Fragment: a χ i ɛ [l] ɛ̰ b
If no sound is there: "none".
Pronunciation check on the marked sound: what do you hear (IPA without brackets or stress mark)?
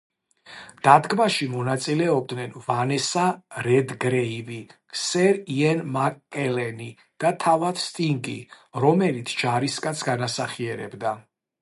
ɾ